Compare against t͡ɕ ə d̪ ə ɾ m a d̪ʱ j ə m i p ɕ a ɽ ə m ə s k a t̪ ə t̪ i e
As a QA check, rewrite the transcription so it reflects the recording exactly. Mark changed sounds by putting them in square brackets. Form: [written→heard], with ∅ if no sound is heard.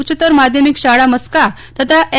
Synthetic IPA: t͡ɕ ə [d̪→t̪] ə ɾ m a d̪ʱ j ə m i [p→k] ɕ a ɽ [ə→a] m ə s k a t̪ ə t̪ [i→a] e

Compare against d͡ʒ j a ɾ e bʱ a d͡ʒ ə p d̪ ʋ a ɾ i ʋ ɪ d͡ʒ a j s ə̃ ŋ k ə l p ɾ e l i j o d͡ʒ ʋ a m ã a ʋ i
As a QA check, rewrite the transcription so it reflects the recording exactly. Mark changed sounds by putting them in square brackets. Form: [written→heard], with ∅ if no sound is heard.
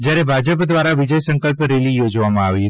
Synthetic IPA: d͡ʒ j a ɾ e bʱ a d͡ʒ ə p d̪ ʋ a ɾ [i→a] ʋ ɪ d͡ʒ [a→ə] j s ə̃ ŋ k ə l p ɾ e l i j o d͡ʒ ʋ a m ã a ʋ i

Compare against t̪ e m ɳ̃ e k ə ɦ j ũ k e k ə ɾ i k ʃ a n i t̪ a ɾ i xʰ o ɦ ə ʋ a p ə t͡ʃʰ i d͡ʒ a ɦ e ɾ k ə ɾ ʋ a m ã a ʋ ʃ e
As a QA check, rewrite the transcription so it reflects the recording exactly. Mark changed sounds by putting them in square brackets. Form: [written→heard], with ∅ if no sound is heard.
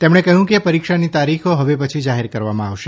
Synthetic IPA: t̪ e m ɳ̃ e k ə ɦ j ũ k e [k→p] ə ɾ i k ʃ a n i t̪ a ɾ i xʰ o ɦ ə ʋ [a→e] p ə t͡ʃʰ i d͡ʒ a ɦ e ɾ k ə ɾ ʋ a m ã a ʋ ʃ e

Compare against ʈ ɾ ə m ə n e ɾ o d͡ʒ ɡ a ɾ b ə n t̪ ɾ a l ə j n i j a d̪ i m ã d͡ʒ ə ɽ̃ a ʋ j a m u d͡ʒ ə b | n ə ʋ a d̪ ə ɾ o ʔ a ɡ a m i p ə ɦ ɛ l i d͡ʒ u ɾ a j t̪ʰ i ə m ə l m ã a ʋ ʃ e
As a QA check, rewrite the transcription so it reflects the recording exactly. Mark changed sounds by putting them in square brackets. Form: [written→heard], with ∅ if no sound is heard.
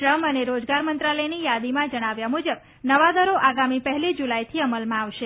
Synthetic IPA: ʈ ɾ ə m ə n e ɾ o d͡ʒ ɡ a ɾ [b→m] ə n t̪ ɾ a l ə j n i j a d̪ i m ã d͡ʒ ə ɽ̃ a ʋ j a m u d͡ʒ ə b | n ə ʋ a d̪ ə ɾ o ʔ a ɡ a m i p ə ɦ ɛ l i d͡ʒ u [ɾ→l] a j t̪ʰ i ə m ə l m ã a ʋ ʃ e

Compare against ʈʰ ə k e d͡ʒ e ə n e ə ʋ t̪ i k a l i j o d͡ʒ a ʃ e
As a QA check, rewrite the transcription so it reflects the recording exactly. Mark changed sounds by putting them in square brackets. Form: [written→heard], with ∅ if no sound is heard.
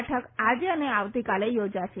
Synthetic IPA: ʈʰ ə k [e→a] d͡ʒ e ə n e [ə→a] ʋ t̪ i k a l [i→e] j o d͡ʒ a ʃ e

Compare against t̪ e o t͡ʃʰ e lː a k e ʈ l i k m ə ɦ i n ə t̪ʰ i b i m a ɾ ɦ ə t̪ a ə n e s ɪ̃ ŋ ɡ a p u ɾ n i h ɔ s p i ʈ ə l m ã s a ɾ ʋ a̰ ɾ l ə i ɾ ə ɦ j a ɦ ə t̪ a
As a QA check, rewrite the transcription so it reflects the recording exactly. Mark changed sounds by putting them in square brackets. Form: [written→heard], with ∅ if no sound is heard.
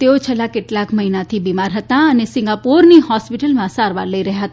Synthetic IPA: t̪ e o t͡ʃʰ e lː a k e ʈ l [i→a] k m ə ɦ i n [ə→a] t̪ʰ i b i m a ɾ ɦ ə t̪ a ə n e s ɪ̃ ŋ ɡ a p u ɾ n i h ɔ s p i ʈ ə l m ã s a ɾ ʋ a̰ ɾ l ə i ɾ ə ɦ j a ɦ ə t̪ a

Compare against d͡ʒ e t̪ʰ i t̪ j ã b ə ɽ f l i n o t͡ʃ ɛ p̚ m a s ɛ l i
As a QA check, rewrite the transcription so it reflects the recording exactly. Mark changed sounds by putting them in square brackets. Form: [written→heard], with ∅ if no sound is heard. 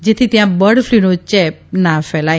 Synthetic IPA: d͡ʒ e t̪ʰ i t̪ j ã b ə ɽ f l i n o t͡ʃ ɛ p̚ [m→n] a [s→f] ɛ l [i→a]

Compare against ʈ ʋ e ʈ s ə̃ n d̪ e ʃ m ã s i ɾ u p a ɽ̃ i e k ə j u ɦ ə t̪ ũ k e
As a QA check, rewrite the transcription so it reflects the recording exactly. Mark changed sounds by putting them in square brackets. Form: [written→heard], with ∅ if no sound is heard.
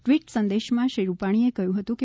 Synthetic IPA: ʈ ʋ [e→i] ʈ s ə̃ n d̪ e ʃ m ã [s→ʃ] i ɾ u p a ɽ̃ i e k ə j [u→ũ] ɦ ə t̪ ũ k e

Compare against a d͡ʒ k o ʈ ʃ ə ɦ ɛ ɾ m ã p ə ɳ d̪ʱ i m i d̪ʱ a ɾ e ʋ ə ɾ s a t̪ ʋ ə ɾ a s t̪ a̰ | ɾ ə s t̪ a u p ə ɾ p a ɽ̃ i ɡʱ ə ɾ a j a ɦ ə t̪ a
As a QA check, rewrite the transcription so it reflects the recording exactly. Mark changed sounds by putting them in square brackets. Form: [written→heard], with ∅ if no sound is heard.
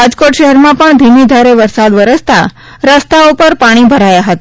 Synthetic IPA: a d͡ʒ k o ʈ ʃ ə ɦ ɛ ɾ m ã p ə ɳ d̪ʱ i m i d̪ʱ a ɾ e ʋ ə ɾ s a [t̪→d̪] ʋ ə ɾ [a→ə] s t̪ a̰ | ɾ ə s t̪ a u p ə ɾ p a ɽ̃ i [ɡʱ→bʱ] ə ɾ a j a ɦ ə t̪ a

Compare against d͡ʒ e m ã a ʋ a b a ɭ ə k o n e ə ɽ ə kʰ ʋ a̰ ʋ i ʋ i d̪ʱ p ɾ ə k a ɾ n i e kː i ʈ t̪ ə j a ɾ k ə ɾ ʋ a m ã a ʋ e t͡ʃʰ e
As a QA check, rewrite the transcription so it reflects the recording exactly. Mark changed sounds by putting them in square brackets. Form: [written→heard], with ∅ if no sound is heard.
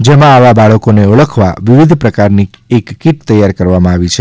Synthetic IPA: d͡ʒ e m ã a ʋ a b a ɭ ə k o n e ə [ɽ→ɭ] ə kʰ ʋ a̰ ʋ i ʋ i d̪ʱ p ɾ ə k a ɾ n i e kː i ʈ t̪ ə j a ɾ k ə ɾ ʋ a m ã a ʋ [e→i] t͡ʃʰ e

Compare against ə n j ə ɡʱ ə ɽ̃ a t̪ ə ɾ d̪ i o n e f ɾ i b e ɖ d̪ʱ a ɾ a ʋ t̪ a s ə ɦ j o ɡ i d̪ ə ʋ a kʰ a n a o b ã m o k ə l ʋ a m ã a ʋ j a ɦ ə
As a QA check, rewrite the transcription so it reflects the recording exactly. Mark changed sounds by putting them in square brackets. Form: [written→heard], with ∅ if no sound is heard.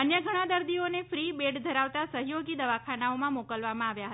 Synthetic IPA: ə n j ə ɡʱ ə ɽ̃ a [t̪→d̪] ə ɾ d̪ i o n e f ɾ i b e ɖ d̪ʱ [a→ə] ɾ a ʋ t̪ a s ə ɦ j o ɡ i d̪ ə ʋ a kʰ a n a o [b→m] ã m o k ə l ʋ a m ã a ʋ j a ɦ ə

